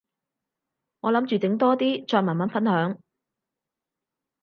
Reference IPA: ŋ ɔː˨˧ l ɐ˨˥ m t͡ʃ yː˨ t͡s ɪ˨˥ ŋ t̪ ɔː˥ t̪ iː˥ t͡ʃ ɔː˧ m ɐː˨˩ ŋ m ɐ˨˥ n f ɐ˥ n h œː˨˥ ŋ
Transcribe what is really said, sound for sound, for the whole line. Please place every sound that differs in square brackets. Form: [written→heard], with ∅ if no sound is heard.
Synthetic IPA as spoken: ŋ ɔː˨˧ l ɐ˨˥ m t͡ʃ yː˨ t͡s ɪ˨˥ ŋ t̪ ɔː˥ t̪ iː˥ t͡ʃ ɔː˧ m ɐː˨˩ [ŋ→n] m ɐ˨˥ n f ɐ˥ n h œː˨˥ ŋ